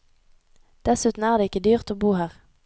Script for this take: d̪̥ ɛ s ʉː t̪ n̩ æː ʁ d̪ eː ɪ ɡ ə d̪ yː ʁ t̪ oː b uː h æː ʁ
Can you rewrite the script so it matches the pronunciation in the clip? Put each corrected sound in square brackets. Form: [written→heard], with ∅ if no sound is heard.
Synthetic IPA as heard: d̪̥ ɛ s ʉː t̪ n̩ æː ʁ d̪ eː ɪ [ɡ→k] ə d̪ yː ʁ t̪ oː b uː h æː ʁ